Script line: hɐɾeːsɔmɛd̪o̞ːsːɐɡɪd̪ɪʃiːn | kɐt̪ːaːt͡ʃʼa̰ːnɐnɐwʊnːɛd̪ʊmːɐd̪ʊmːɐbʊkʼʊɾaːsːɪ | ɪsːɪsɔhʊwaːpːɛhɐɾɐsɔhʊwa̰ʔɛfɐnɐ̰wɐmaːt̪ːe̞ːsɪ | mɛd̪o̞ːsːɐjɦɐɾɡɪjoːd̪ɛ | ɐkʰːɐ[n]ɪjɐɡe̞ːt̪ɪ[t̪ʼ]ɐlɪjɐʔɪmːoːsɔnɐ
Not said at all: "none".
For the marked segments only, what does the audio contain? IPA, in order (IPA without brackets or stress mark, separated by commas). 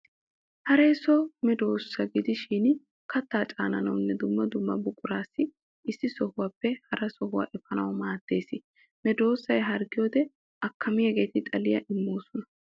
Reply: m, t̪ʼ